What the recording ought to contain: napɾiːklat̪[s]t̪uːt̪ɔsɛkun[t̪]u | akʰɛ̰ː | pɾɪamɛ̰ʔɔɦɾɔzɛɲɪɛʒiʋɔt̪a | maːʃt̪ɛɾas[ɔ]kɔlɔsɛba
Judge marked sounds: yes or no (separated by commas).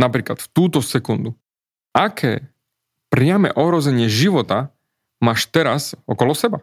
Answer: no, no, yes